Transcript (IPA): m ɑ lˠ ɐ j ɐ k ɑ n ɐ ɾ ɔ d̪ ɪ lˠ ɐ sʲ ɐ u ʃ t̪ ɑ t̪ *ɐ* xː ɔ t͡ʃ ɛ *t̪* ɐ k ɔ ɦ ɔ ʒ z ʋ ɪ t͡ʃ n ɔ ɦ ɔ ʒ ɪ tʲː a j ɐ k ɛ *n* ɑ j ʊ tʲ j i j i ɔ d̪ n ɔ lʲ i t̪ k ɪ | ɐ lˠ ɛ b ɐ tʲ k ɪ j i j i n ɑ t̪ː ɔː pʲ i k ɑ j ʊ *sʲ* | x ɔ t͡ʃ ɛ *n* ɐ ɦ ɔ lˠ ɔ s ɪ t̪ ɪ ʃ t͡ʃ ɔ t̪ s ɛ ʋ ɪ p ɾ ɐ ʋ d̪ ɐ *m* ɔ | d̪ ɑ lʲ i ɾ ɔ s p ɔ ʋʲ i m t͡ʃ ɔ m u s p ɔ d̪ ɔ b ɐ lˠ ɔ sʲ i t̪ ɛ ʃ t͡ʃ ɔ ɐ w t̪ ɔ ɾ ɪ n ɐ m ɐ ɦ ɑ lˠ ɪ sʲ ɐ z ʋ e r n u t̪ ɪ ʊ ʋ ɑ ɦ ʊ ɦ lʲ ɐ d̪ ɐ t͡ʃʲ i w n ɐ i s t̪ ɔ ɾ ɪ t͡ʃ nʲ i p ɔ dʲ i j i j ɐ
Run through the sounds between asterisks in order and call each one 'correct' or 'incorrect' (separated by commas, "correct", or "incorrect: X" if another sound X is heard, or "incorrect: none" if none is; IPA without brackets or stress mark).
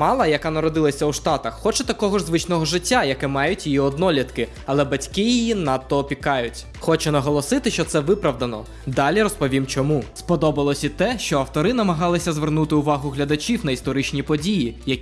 correct, correct, incorrect: m, incorrect: tʲ, correct, incorrect: n